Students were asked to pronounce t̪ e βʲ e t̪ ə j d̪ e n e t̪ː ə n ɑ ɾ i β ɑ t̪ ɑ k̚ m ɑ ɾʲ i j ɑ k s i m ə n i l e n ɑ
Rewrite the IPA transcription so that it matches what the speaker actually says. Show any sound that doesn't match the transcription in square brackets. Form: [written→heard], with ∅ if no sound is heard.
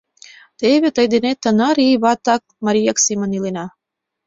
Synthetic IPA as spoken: t̪ e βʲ e t̪ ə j d̪ e n e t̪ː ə n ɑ ɾ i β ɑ t̪ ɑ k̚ m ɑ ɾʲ i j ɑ k s i m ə n i l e n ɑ